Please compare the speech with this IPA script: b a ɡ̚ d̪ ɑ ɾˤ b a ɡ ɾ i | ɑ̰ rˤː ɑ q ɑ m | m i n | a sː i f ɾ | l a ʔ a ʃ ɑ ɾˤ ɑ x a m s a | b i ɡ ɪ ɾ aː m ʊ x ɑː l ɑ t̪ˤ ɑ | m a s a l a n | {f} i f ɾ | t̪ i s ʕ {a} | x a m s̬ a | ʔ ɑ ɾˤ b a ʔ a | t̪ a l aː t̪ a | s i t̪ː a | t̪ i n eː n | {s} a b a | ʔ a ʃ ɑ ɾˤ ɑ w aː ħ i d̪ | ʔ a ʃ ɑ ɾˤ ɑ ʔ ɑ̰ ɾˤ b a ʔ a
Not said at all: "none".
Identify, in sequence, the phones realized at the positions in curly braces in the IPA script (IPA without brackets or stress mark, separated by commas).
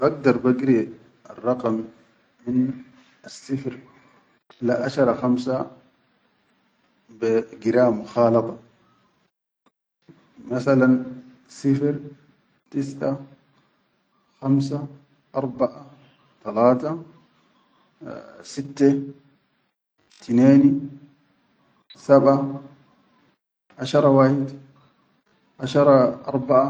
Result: s, a, s